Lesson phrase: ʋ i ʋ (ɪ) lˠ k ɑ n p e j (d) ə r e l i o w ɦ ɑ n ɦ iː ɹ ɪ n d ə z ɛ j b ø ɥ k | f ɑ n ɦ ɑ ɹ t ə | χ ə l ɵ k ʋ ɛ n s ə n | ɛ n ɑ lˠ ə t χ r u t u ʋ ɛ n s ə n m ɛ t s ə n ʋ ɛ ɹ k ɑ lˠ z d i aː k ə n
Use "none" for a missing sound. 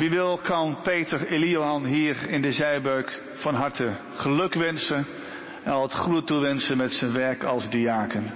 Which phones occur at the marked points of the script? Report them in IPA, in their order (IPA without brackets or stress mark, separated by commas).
ɪ, t